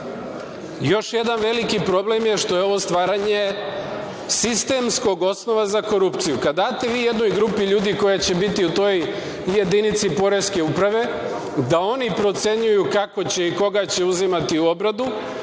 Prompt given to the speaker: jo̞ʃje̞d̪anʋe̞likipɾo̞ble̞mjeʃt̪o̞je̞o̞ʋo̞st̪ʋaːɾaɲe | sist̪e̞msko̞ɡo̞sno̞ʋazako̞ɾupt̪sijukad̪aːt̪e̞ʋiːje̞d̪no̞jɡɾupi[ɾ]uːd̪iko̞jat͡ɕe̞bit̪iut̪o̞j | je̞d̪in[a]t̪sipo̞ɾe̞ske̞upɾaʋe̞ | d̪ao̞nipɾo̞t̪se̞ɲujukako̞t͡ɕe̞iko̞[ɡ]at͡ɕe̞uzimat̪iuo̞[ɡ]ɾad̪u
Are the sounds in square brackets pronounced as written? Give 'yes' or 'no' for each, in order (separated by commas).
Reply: no, no, yes, no